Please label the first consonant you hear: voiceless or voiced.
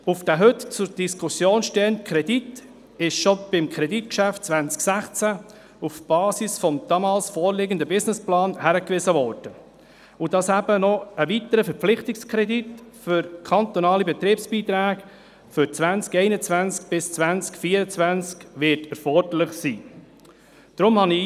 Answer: voiceless